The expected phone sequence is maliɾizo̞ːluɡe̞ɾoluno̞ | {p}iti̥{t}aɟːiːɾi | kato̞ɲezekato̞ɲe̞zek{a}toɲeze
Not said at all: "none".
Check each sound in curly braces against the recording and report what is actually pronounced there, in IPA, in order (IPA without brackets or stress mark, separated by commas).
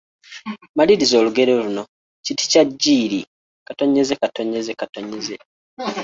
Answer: c, c, a